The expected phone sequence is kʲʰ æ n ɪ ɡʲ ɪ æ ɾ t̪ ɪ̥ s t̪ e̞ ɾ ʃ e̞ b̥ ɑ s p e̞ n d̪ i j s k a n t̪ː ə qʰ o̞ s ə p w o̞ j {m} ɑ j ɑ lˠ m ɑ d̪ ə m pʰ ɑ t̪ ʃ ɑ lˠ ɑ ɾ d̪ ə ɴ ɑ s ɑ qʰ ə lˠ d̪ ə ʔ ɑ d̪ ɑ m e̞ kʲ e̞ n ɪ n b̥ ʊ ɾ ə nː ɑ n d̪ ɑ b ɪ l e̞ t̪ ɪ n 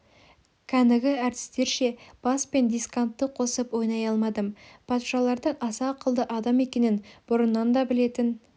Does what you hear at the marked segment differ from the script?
yes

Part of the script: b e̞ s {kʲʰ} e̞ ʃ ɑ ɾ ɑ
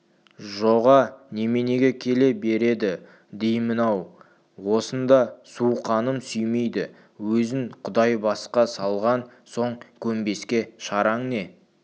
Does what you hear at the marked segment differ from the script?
yes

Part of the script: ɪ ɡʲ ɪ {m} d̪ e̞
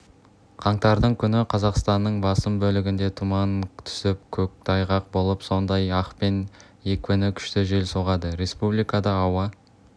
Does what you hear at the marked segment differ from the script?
yes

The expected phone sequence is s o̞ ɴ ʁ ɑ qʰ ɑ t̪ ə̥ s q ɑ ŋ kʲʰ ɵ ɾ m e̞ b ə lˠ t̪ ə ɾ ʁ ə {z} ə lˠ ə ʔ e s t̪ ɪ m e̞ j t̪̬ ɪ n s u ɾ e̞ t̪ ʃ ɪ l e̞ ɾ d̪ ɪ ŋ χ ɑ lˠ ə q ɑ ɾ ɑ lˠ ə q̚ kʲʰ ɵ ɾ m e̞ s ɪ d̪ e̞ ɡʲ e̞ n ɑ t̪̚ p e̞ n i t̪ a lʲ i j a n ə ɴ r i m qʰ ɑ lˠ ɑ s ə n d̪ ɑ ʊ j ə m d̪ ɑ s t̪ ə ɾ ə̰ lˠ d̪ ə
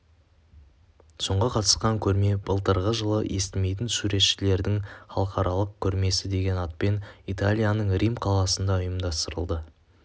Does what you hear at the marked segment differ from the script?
yes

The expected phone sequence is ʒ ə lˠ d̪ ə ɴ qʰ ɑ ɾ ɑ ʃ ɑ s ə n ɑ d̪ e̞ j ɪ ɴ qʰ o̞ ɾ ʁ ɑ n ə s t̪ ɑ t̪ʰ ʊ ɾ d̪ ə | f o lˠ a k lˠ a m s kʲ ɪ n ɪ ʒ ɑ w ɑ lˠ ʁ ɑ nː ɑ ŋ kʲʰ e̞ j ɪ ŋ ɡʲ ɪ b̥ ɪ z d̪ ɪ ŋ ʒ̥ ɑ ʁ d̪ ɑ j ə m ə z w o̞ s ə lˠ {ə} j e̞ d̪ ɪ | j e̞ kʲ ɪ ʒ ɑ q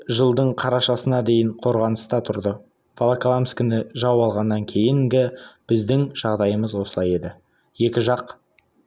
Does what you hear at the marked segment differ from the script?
yes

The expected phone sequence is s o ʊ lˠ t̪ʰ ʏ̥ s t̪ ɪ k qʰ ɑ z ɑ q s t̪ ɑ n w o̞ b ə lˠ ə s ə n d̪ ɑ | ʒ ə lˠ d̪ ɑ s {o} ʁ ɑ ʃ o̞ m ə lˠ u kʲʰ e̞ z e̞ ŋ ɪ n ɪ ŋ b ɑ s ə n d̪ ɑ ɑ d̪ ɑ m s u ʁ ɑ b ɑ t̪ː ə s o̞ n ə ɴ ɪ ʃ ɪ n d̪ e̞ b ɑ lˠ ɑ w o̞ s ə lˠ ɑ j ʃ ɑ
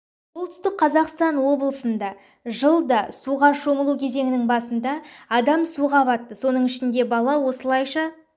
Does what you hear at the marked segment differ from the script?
yes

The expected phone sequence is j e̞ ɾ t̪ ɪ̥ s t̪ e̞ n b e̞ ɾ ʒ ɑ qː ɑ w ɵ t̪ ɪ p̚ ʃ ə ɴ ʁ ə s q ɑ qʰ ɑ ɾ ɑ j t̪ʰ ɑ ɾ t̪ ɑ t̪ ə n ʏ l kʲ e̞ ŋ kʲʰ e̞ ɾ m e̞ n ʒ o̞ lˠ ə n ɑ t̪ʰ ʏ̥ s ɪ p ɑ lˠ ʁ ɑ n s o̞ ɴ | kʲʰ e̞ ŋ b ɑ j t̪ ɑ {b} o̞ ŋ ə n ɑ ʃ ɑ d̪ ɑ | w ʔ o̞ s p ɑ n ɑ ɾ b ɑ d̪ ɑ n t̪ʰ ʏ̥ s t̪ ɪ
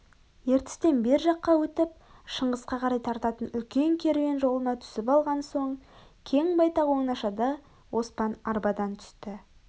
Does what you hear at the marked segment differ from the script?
yes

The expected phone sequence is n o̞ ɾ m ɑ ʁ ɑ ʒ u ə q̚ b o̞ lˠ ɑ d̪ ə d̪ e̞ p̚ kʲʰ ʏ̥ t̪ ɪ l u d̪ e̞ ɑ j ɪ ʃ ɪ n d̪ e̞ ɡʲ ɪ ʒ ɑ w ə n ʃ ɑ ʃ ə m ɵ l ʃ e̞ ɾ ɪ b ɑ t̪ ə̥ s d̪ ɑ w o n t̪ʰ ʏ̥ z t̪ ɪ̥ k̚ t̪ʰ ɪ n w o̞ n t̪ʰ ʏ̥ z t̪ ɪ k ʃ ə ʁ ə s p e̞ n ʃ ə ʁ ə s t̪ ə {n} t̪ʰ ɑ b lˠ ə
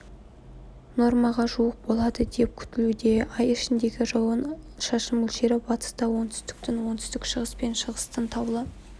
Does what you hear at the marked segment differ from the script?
no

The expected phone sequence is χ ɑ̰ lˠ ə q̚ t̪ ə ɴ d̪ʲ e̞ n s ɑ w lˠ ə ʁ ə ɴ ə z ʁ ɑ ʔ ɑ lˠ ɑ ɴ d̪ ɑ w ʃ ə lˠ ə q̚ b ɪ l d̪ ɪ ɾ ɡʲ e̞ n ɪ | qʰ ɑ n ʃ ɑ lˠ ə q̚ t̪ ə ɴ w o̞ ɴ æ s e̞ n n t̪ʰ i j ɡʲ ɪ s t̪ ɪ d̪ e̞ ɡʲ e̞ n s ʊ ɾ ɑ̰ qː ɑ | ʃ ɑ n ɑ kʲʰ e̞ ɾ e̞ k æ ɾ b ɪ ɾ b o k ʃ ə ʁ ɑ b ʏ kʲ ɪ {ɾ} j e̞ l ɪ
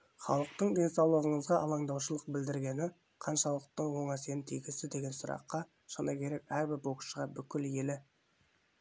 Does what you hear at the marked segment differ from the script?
yes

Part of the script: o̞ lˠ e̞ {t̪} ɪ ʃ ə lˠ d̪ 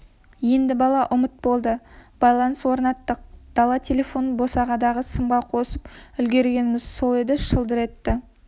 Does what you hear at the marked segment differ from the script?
yes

